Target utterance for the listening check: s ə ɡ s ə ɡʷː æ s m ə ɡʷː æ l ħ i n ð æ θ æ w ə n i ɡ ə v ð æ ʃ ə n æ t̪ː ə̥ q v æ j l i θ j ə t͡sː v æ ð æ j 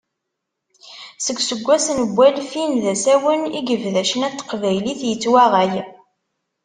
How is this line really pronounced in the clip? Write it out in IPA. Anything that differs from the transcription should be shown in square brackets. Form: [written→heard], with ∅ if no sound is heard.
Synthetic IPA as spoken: s ə ɡ s ə ɡʷː æ s [m→n] ə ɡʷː æ l [ħ→f] i n ð æ [θ→s] æ w ə n i ɡ ə v ð æ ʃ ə n æ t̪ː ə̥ q v æ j l i θ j ə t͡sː [v→w] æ [ð→ʁ] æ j